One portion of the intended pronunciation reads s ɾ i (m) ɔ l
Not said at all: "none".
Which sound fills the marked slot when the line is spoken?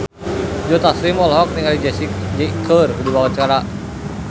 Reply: m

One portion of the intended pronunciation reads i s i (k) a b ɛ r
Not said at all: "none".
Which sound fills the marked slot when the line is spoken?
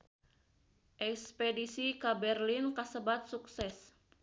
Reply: k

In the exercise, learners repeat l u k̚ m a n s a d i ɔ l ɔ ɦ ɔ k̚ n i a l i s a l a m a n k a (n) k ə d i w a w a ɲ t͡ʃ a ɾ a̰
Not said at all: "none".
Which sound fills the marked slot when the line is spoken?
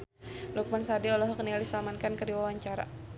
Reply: n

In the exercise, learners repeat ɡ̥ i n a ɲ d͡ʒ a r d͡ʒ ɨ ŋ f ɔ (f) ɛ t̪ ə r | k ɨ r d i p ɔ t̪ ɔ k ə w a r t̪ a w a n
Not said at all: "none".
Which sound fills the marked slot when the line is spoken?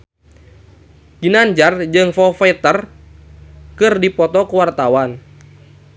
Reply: f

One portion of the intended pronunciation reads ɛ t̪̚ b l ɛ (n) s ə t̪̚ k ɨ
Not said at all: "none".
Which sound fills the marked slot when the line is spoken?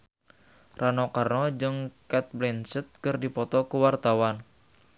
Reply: n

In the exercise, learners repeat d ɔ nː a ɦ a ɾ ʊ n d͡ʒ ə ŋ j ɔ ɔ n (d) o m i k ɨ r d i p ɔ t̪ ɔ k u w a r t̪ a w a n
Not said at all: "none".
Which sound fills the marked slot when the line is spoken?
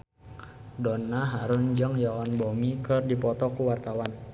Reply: b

